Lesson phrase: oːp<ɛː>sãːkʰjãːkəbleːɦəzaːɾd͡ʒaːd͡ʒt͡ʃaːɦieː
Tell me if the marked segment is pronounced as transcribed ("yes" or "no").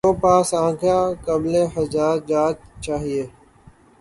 no